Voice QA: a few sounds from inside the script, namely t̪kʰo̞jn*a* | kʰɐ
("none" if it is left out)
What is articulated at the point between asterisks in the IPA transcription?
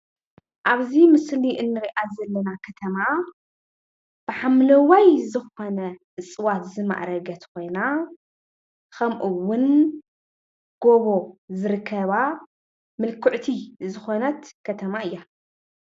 a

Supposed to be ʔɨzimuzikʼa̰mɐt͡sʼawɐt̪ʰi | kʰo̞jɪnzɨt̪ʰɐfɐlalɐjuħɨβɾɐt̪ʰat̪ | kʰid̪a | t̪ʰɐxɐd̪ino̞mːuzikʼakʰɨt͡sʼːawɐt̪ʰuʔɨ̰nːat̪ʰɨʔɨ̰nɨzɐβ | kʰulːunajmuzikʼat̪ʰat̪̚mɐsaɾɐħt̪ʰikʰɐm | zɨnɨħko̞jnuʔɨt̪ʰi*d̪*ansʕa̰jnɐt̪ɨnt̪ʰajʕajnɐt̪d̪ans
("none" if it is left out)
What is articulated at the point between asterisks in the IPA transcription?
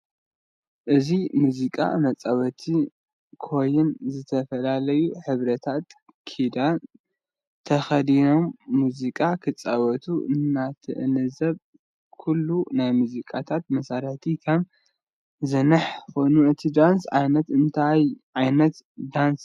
d̪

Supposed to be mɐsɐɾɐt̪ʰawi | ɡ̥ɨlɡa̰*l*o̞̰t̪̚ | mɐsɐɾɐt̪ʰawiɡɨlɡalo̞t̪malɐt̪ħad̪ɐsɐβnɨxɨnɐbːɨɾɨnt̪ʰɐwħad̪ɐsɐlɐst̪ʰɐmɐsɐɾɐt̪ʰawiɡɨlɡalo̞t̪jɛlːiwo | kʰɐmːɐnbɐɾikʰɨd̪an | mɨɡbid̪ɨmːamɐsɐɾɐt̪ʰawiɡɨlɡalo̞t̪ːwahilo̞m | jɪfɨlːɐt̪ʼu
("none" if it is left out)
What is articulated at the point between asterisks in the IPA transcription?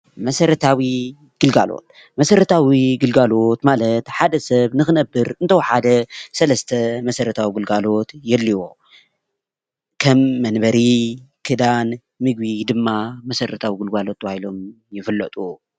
l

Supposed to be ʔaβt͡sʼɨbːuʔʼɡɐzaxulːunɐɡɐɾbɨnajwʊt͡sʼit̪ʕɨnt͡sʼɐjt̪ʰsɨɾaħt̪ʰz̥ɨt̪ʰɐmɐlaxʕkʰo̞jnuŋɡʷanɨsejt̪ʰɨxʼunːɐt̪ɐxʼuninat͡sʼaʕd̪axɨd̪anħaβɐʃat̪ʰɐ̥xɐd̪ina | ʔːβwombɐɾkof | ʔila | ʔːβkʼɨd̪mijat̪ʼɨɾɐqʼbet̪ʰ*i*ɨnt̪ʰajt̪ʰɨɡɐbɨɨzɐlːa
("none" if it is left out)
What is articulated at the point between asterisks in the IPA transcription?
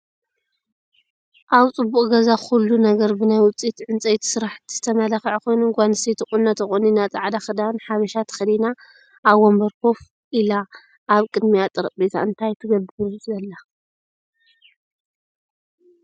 a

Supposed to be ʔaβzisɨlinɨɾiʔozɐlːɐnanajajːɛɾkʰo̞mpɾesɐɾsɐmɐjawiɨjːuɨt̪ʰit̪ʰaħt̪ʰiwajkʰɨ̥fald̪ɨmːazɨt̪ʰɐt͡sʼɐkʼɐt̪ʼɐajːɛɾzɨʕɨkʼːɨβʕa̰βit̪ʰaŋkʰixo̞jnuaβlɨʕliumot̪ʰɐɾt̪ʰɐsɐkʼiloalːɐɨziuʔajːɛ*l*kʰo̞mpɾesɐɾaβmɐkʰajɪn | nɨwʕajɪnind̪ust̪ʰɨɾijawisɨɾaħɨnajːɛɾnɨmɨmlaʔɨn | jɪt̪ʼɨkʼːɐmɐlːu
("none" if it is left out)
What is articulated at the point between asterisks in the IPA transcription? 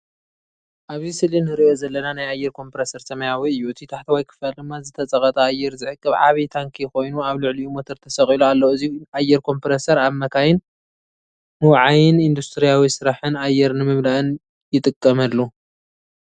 ɾ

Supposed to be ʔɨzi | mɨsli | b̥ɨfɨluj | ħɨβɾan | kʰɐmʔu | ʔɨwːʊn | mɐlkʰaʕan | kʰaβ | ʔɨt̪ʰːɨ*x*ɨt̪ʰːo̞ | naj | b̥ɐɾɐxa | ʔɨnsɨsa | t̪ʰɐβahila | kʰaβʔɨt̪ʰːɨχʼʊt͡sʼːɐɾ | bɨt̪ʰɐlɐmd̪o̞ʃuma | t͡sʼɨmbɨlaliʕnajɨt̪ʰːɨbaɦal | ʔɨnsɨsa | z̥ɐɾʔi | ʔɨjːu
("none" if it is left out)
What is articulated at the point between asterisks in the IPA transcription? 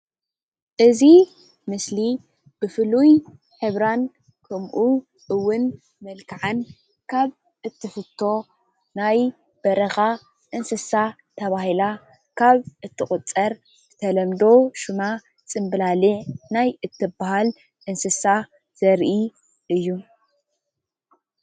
f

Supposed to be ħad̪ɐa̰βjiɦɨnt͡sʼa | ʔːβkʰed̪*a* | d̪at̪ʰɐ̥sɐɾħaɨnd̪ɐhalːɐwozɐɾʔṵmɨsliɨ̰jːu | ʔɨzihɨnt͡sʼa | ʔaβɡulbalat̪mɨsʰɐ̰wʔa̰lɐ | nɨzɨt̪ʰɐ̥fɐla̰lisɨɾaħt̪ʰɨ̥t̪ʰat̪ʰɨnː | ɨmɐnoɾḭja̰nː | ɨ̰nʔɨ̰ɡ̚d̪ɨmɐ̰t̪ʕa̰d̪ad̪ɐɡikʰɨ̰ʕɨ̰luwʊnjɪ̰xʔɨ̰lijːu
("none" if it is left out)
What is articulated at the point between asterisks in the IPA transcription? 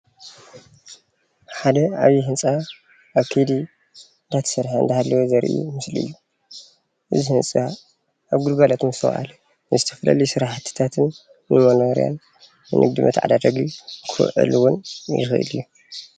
i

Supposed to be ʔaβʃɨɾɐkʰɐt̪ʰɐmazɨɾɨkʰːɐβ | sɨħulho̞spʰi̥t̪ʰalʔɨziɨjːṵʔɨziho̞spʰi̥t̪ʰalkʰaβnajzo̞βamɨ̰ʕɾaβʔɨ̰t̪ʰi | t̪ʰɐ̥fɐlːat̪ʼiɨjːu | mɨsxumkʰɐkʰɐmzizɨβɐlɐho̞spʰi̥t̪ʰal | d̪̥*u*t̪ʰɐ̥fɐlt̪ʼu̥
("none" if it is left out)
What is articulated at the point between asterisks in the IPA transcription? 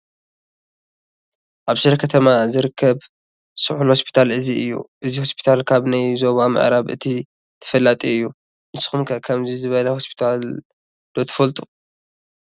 o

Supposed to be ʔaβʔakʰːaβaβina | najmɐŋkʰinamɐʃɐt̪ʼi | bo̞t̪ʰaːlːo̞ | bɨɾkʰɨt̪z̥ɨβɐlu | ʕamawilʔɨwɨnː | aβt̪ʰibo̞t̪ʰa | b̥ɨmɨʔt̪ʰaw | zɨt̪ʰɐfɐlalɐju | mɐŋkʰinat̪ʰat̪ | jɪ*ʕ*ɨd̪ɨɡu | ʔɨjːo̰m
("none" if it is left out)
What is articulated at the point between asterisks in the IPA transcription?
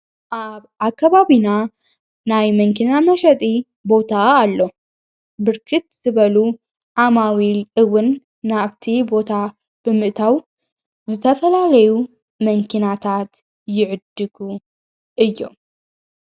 ʕ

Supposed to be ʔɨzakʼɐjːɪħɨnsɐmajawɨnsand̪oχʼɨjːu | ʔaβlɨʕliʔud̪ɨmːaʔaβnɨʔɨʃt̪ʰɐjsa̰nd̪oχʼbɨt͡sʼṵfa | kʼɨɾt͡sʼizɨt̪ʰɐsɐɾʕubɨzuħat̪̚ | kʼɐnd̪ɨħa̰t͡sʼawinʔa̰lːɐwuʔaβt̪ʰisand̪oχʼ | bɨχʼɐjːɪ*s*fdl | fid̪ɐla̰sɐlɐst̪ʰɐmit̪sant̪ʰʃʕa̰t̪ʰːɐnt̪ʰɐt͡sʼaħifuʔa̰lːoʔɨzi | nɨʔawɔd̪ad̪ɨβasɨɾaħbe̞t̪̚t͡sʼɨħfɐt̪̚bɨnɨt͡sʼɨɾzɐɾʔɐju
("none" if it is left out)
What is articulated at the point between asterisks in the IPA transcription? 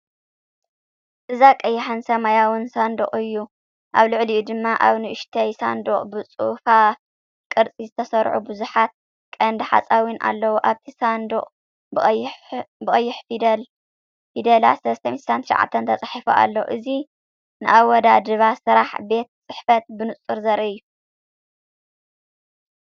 ħ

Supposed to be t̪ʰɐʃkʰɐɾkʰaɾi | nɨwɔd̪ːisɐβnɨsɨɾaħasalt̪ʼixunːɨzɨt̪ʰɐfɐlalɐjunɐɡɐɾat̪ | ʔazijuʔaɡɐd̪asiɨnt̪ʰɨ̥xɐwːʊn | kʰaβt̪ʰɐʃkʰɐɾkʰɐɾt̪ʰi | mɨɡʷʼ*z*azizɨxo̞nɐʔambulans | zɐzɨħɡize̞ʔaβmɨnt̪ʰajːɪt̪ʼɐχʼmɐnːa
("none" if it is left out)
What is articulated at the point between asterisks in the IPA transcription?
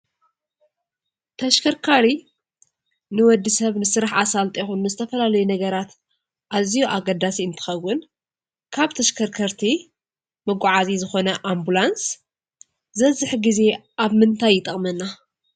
ʕ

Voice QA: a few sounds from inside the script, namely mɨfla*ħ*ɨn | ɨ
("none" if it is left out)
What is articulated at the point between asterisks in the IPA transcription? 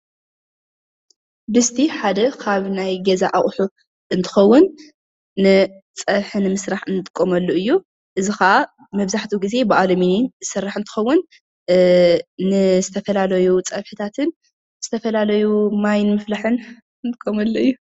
ħ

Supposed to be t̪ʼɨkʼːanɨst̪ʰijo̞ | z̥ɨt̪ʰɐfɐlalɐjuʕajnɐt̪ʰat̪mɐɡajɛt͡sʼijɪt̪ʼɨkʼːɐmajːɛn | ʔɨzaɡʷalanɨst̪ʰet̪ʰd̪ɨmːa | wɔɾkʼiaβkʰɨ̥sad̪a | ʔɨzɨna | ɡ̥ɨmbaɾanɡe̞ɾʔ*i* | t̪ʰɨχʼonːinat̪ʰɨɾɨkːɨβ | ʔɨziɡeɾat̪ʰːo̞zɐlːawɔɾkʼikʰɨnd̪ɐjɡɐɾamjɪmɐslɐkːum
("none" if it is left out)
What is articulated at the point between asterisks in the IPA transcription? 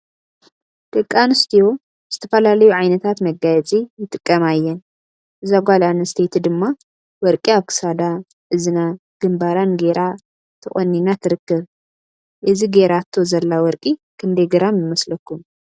a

